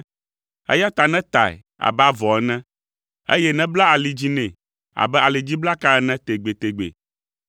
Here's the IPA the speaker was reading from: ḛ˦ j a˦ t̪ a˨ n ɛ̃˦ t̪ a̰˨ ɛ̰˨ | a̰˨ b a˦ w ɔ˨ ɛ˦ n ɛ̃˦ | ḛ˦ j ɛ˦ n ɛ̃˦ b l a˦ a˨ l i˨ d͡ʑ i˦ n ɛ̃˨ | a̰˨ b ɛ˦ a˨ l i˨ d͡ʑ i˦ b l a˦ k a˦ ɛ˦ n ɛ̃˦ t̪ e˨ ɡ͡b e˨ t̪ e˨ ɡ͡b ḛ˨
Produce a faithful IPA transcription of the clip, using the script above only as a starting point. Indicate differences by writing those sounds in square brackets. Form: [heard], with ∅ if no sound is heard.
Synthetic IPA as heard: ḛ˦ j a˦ t̪ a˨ n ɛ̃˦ t̪ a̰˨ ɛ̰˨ | a̰˨ b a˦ [v] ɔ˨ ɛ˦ n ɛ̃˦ | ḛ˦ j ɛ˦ n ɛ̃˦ b l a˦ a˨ l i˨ d͡ʑ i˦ n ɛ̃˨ | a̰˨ b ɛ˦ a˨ l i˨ d͡ʑ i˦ b l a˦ k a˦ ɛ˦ n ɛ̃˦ t̪ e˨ ɡ͡b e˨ t̪ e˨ ɡ͡b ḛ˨